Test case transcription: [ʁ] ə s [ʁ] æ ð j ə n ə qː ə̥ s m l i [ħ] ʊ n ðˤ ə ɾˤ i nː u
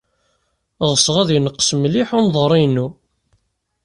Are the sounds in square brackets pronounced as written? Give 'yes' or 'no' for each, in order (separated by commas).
yes, yes, yes